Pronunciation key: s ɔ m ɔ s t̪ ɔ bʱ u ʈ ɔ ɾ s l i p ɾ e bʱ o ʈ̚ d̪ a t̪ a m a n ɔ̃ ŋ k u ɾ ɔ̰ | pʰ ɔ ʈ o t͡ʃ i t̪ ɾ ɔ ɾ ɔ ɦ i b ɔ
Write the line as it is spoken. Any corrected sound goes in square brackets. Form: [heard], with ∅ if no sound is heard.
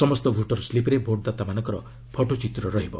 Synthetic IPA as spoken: s ɔ m ɔ s t̪ ɔ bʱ u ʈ ɔ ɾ s l i p ɾ e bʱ o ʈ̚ d̪ a t̪ a m a n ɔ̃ ŋ k [ɔ] ɾ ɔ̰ | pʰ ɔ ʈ o t͡ʃ i t̪ ɾ ɔ ɾ ɔ ɦ i b ɔ